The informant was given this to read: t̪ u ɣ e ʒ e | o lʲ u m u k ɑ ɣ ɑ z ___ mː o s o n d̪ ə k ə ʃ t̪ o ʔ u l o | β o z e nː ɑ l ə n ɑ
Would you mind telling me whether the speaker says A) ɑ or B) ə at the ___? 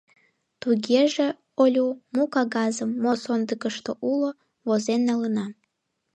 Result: B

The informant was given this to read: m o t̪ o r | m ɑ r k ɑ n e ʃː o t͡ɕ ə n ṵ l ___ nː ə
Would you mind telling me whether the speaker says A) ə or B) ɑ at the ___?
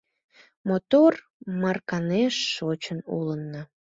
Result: A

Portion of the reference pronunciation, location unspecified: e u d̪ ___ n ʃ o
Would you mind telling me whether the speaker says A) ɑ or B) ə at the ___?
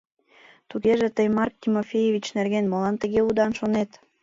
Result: A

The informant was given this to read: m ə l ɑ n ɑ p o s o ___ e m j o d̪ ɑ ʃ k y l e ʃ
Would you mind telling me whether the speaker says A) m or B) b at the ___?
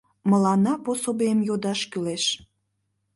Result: B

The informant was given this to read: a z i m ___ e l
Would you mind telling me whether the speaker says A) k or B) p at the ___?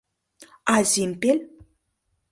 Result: B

